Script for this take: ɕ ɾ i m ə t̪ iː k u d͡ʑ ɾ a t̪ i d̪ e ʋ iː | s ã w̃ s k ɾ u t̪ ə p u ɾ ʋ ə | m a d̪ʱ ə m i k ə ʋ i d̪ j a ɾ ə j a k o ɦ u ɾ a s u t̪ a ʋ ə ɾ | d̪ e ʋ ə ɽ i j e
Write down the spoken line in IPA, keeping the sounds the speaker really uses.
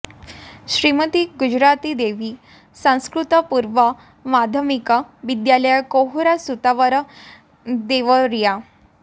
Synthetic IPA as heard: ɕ ɾ i m ə t̪ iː ɡ u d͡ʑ ɾ a t̪ i d̪ e ʋ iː | s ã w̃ s k ɾ u t̪ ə p u ɾ ʋ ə | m a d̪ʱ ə m i k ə ʋ i d̪ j a l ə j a k o ɦ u ɾ a s u t̪ a ʋ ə ɾ | d̪ e ʋ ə ɾ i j a